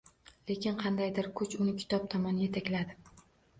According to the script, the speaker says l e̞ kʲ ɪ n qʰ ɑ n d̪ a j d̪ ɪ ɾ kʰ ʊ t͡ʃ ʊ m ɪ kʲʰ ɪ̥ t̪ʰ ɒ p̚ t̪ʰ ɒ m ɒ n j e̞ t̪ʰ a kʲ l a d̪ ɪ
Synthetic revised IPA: l e̞ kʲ ɪ n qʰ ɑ n d̪ a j d̪ ɪ ɾ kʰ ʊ t͡ʃ ʊ n ɪ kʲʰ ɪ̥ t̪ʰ ɒ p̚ t̪ʰ ɒ m ɒ n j e̞ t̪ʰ a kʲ l a d̪ ɪ